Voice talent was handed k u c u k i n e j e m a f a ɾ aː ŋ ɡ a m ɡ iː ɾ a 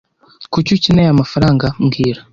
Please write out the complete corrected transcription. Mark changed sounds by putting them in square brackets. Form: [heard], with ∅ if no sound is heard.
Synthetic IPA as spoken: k u c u [c] i n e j [a] m a f a ɾ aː ŋ ɡ a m ɡ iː ɾ a

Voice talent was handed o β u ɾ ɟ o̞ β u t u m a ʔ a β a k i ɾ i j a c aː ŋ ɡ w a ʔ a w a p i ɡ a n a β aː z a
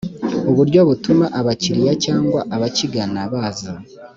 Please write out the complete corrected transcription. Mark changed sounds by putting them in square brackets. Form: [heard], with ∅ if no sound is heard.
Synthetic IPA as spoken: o β u ɾ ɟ o̞ β u t u m a ʔ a β a [c] i ɾ i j a c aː ŋ ɡ w a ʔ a [β] a [c] i ɡ a n a β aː z a

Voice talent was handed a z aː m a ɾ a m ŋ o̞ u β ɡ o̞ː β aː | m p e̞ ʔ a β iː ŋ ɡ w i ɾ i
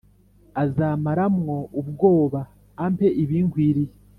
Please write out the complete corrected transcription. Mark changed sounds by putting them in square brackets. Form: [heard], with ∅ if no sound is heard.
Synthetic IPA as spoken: a z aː m a ɾ a m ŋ o̞ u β ɡ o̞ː β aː | m p e̞ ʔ [i] β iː ŋ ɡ w i ɾ i

